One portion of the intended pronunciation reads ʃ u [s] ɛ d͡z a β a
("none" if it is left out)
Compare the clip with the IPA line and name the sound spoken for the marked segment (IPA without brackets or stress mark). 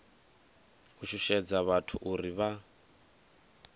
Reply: ʃ